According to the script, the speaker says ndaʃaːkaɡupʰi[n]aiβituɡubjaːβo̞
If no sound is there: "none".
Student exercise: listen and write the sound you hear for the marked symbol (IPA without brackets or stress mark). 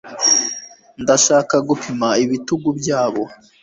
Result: m